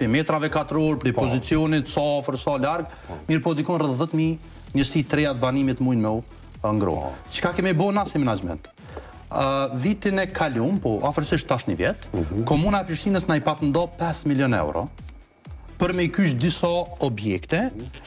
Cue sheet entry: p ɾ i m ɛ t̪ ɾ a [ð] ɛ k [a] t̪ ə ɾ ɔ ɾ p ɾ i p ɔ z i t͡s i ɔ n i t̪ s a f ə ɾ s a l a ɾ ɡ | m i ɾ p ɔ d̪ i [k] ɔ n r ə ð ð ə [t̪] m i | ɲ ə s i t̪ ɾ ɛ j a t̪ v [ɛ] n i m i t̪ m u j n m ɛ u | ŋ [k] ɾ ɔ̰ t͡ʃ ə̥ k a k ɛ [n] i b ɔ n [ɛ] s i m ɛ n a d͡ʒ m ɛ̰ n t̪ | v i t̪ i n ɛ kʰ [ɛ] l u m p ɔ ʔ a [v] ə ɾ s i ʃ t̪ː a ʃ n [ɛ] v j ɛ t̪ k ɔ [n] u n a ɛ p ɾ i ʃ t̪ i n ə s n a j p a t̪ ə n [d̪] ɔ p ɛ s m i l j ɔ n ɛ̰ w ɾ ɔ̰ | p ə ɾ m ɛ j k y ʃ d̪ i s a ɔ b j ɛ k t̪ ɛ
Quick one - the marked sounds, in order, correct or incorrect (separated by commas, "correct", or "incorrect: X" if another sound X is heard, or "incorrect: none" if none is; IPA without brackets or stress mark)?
incorrect: v, correct, correct, correct, incorrect: a, incorrect: ɡ, incorrect: m, incorrect: a, incorrect: a, incorrect: f, incorrect: i, incorrect: m, correct